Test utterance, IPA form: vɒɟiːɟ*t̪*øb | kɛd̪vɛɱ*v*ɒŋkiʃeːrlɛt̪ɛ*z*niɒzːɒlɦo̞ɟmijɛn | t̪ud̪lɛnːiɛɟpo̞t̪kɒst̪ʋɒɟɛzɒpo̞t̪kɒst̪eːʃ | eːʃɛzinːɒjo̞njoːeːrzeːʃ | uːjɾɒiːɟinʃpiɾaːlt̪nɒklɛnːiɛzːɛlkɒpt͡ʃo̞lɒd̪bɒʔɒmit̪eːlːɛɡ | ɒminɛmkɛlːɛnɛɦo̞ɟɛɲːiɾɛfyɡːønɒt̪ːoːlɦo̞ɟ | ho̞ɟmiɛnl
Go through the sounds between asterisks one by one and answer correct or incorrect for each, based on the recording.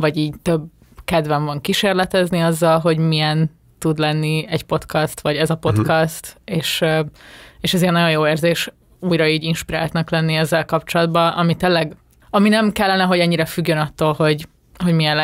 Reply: correct, correct, correct

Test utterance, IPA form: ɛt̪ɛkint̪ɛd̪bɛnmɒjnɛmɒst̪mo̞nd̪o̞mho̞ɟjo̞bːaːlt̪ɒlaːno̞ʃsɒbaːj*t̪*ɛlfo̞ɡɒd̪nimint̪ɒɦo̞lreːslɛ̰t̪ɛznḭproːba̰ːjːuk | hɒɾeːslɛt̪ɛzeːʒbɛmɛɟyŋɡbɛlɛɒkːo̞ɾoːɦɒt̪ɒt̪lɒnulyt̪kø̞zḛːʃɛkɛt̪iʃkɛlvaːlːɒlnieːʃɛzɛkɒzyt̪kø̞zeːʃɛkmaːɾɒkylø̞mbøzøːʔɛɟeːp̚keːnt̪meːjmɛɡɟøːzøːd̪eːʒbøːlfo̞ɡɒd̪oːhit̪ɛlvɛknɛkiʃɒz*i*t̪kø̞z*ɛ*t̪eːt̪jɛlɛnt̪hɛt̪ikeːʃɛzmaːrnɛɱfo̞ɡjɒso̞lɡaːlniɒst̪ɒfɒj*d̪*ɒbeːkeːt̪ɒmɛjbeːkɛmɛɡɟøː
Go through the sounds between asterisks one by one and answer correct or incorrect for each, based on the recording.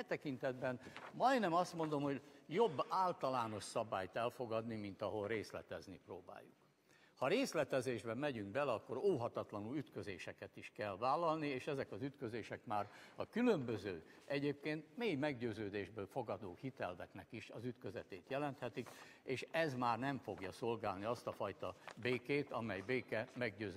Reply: correct, incorrect, correct, incorrect

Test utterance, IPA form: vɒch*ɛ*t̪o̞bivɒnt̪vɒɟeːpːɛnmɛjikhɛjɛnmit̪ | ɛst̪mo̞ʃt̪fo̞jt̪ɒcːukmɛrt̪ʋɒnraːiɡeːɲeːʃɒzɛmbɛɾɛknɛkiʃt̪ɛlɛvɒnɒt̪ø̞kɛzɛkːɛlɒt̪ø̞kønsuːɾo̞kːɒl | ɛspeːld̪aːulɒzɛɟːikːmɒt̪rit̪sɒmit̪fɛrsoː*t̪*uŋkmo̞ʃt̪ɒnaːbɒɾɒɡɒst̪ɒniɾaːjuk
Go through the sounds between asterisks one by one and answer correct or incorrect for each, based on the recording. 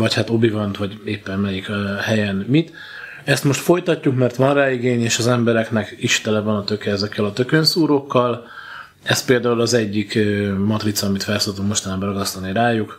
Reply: incorrect, correct

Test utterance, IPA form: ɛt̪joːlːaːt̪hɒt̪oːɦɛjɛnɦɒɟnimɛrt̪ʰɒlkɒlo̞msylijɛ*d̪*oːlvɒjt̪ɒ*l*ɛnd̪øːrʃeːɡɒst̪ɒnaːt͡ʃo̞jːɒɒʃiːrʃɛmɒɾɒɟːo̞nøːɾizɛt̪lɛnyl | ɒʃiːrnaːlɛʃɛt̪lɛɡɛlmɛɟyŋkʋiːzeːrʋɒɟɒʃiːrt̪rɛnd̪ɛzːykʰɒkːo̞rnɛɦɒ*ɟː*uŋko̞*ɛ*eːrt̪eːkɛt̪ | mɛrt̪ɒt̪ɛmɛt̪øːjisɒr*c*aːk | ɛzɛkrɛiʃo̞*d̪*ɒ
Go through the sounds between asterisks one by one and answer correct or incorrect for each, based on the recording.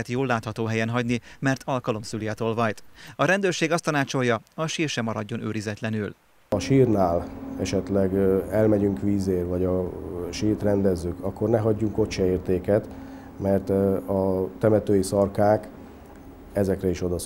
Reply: incorrect, incorrect, correct, correct, incorrect, correct

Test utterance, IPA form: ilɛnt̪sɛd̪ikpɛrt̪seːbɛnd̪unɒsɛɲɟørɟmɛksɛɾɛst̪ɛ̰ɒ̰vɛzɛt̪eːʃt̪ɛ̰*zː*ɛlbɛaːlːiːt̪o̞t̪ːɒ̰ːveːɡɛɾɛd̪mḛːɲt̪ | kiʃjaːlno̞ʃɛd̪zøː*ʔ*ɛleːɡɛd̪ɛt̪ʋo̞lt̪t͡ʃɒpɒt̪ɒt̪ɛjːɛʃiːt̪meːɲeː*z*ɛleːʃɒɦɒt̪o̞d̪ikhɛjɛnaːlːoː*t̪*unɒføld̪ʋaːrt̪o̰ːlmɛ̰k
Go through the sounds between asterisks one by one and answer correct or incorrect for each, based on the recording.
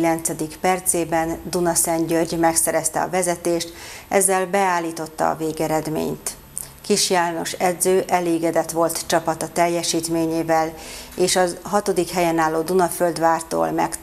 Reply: correct, correct, incorrect, incorrect

